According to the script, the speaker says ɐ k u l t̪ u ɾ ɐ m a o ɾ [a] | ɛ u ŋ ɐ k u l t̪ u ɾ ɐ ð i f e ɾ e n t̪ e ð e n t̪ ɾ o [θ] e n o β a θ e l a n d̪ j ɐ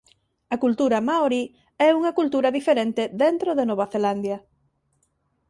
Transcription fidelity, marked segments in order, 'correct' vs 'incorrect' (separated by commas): incorrect, incorrect